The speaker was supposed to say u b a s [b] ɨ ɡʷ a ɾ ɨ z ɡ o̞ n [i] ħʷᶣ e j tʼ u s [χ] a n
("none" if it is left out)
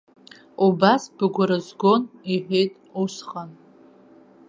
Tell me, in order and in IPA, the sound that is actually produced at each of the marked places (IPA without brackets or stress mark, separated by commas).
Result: b, i, χ